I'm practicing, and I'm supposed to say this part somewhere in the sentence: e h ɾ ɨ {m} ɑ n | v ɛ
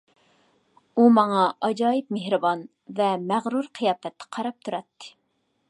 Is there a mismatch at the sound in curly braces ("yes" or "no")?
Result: yes